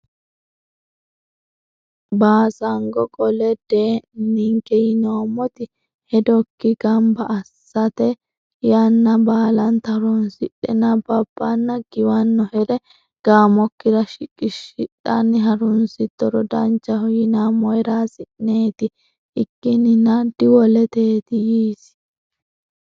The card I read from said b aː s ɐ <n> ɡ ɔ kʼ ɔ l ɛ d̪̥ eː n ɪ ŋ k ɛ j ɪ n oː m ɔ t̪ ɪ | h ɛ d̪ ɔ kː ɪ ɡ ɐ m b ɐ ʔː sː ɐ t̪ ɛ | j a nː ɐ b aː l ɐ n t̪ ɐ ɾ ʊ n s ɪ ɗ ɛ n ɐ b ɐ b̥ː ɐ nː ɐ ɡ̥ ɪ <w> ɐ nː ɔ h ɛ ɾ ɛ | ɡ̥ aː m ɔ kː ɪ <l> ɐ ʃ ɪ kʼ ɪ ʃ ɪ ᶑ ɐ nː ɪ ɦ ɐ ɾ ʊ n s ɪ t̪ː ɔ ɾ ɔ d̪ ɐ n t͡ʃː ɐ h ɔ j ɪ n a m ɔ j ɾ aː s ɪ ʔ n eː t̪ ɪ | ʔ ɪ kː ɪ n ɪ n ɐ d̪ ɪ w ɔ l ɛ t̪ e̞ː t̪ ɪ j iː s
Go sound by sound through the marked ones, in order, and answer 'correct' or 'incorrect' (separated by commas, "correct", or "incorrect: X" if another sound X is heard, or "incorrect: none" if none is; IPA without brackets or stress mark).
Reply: incorrect: ŋ, correct, incorrect: ɾ